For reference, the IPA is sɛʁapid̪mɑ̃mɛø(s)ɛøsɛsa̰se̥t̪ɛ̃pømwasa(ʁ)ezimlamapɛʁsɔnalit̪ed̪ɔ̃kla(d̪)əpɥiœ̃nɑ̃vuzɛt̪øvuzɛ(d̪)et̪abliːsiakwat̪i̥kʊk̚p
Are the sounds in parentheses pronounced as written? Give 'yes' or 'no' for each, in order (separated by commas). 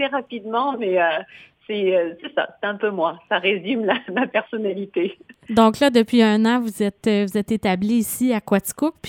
yes, yes, yes, no